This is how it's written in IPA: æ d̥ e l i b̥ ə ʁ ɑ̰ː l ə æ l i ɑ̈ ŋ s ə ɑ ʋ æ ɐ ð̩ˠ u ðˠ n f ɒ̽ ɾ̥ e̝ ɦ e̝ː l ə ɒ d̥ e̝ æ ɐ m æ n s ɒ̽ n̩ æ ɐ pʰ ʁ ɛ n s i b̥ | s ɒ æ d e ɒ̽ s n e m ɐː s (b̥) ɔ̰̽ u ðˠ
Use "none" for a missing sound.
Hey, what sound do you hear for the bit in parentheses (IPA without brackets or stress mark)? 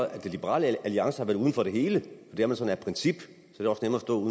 d̥